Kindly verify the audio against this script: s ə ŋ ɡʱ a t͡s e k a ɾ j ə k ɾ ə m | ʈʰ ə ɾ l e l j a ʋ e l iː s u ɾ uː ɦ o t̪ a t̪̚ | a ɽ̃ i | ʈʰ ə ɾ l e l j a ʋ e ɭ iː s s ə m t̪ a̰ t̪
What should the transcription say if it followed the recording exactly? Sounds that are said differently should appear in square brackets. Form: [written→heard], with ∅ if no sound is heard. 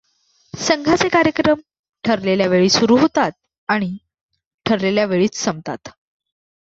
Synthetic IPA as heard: s ə ŋ ɡʱ a t͡s e k a ɾ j ə k ɾ ə m | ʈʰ ə ɾ l e l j a ʋ e [l→ɭ] iː s u ɾ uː ɦ o t̪ a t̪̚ | a ɽ̃ i | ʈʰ ə ɾ l e l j a ʋ e ɭ iː [s→t͡s] s ə m t̪ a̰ t̪

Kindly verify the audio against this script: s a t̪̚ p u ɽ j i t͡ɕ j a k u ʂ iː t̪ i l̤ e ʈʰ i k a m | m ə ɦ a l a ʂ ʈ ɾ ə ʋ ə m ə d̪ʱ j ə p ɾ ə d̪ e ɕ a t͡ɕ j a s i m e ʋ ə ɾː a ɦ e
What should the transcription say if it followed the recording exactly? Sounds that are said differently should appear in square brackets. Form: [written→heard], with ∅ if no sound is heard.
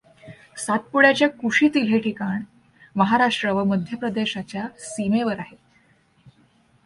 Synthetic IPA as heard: s a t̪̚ p u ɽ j [i→a] t͡ɕ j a k u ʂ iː t̪ i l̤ e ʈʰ i k a [m→ɳ] | m ə ɦ a [l→ɾ] a ʂ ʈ ɾ ə ʋ ə m ə d̪ʱ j ə p ɾ ə d̪ e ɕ a t͡ɕ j a s i m e ʋ ə [ɾː→ɾ] a ɦ e

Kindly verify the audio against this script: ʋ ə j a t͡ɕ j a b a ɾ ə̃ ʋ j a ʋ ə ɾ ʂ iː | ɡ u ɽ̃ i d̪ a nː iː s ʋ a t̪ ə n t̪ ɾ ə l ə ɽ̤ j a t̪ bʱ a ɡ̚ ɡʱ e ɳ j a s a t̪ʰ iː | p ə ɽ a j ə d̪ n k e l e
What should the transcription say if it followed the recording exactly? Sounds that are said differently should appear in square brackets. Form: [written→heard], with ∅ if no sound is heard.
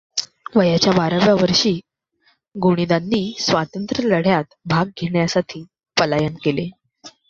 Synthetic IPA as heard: ʋ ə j a t͡ɕ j a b a ɾ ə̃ ʋ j a ʋ ə ɾ ʂ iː | ɡ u ɽ̃ i d̪ a nː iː s ʋ a t̪ ə n t̪ ɾ ə l ə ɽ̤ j a t̪ bʱ a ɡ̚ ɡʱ e ɳ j a s a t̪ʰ iː | p ə [ɽ→l] a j ə [d̪→∅] n k e l e

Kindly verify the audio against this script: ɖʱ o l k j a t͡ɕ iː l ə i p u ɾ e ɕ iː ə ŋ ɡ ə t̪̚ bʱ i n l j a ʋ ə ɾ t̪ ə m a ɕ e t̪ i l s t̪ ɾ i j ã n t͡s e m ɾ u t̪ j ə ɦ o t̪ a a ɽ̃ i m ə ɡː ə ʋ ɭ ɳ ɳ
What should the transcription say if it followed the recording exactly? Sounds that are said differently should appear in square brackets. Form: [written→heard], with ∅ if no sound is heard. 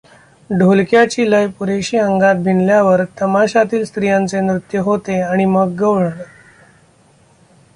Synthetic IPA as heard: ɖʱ o l k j a t͡ɕ iː l ə [i→j] p u ɾ e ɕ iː ə ŋ ɡ [ə→a] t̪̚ bʱ i n l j a ʋ ə ɾ t̪ ə m a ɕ [e→a] t̪ [i→iː] l s t̪ ɾ i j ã n t͡s e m ɾ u t̪ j ə ɦ o t̪ [a→e] a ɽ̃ i m ə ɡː ə ʋ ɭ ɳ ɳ

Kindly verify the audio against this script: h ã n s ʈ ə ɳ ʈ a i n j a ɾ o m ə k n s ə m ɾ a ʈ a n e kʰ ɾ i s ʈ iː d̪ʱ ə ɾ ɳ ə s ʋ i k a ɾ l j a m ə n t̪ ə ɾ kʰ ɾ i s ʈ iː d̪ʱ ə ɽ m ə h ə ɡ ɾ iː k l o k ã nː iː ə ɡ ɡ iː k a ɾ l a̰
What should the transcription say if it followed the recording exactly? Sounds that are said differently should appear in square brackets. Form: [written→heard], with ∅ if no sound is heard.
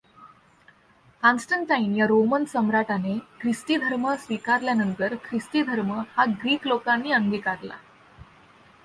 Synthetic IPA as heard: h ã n s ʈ ə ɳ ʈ a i n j a ɾ o m ə [k→∅] n s ə m ɾ a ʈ a n e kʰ ɾ i s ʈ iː d̪ʱ ə ɾ [ɳ→m] ə s ʋ i k a ɾ l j a [m→n] ə n t̪ ə ɾ kʰ ɾ i s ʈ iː d̪ʱ ə [ɽ→ɾ] m ə h [ə→a] ɡ ɾ iː k l o k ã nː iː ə [ɡ→ŋ] ɡ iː k a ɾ l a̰

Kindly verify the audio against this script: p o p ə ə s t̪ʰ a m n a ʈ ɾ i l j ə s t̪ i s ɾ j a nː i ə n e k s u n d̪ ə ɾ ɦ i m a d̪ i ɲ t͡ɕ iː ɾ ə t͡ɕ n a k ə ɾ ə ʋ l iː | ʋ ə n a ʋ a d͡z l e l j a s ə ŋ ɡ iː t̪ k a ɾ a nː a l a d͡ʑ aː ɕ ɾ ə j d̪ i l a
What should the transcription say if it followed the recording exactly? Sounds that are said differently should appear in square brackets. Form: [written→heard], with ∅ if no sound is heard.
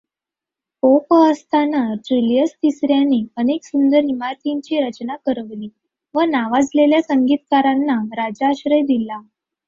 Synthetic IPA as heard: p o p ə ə s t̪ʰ a [m→∅] n a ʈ ɾ i l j ə s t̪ i s ɾ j a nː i ə n e k s u n d̪ ə ɾ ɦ i m a [d̪→t̪] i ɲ t͡ɕ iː ɾ ə t͡ɕ n a k ə ɾ ə ʋ l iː | ʋ ə n a ʋ a d͡z l e l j a s ə ŋ ɡ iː t̪ k a ɾ a nː a [l→ɾ] a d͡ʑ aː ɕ ɾ ə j d̪ i l a

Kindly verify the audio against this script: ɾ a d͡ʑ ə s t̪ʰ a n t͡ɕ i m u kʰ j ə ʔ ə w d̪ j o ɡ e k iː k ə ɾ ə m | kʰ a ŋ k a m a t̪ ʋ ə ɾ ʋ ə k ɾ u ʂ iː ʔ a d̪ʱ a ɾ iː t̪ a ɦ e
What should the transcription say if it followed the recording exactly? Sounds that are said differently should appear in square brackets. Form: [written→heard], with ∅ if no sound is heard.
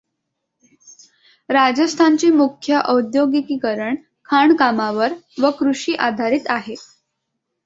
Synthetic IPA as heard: ɾ a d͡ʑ ə s t̪ʰ a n t͡ɕ [i→iː] m u kʰ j ə ʔ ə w d̪ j o ɡ [e→i] k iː k ə ɾ ə [m→ɳ] | kʰ a [ŋ→ɳ] k a m a [t̪→∅] ʋ ə ɾ ʋ ə k ɾ u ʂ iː ʔ a d̪ʱ a ɾ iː t̪ a ɦ e

